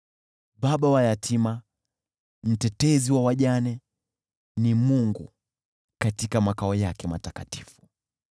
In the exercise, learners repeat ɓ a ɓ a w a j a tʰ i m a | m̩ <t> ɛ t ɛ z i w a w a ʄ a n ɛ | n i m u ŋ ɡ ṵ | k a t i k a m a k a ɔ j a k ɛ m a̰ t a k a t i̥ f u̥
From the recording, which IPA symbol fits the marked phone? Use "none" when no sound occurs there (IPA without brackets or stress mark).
t